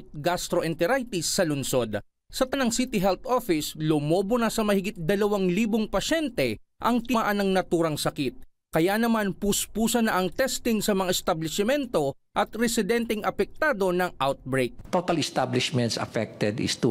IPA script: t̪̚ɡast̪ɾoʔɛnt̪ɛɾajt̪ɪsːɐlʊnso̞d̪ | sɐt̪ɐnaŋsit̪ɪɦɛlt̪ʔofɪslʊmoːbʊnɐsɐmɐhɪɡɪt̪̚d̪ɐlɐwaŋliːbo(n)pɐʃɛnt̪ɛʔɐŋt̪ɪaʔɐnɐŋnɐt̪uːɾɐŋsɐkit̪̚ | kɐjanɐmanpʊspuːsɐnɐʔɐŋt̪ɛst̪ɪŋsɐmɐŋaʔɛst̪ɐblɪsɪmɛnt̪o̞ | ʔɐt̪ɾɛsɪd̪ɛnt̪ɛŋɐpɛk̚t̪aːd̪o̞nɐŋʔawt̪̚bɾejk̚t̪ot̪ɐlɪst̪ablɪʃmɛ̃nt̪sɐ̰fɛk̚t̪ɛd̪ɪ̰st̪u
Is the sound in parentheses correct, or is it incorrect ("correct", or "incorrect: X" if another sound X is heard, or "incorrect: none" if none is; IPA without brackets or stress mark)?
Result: incorrect: ŋ